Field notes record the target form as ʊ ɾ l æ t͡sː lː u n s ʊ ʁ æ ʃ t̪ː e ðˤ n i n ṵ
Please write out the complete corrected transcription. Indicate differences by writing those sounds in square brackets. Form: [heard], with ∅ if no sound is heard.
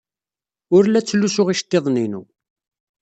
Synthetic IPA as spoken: ʊ ɾ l æ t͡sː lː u [∅] s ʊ ʁ [i] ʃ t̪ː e ðˤ n i n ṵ